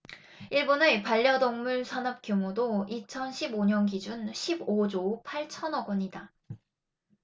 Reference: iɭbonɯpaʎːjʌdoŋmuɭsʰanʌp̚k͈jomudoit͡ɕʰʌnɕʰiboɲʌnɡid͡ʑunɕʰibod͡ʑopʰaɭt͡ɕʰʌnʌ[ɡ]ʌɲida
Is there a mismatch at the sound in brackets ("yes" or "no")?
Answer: no